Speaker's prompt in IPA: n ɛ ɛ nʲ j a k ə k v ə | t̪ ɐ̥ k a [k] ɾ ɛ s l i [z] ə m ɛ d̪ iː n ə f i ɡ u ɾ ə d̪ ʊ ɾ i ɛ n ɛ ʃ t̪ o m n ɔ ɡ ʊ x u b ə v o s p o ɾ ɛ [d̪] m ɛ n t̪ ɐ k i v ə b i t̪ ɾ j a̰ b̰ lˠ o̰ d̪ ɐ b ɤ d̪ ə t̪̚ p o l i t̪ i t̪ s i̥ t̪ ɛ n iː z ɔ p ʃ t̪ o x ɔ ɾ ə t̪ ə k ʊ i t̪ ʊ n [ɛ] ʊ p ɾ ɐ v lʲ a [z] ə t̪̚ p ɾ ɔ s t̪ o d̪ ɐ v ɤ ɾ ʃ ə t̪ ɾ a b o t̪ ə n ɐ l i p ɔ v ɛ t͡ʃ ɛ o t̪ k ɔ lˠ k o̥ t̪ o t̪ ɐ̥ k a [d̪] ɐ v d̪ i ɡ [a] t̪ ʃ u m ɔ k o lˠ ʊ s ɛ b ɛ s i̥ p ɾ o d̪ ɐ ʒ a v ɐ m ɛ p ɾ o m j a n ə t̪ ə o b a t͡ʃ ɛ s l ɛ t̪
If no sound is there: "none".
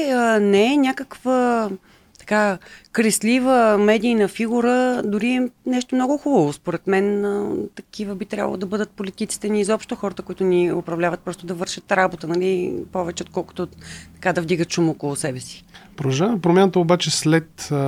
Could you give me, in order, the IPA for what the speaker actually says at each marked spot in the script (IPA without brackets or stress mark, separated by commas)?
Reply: k, v, t̪, i, v, d̪, ə